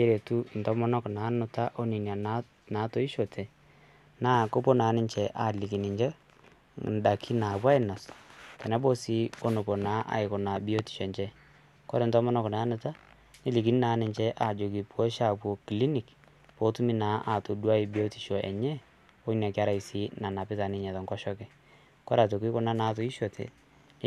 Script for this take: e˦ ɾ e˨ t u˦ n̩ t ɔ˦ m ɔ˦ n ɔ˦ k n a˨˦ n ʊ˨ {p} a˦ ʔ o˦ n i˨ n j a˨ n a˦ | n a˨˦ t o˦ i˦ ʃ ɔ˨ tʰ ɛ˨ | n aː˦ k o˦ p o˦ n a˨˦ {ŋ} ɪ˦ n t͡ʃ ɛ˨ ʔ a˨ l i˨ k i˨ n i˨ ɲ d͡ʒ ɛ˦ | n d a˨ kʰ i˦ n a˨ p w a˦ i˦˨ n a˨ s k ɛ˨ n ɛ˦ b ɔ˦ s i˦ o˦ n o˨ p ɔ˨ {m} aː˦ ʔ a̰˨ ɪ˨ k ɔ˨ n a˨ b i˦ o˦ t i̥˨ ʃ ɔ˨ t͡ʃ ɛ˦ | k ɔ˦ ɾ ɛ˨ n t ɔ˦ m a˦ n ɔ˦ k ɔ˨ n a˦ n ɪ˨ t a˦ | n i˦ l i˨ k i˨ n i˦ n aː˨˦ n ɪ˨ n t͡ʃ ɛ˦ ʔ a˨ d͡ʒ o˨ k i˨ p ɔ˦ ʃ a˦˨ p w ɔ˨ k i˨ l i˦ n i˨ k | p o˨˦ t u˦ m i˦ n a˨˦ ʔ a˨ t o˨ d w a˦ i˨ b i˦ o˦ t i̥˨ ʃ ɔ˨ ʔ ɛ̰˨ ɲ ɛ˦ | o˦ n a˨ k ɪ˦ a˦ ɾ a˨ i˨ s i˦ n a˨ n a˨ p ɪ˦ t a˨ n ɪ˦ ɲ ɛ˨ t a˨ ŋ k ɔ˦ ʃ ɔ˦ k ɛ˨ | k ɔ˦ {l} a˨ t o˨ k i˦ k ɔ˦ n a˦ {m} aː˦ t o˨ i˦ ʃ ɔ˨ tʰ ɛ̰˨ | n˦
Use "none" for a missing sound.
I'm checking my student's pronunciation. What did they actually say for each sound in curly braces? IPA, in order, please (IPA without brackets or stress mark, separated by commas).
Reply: t, n, n, ɾ, n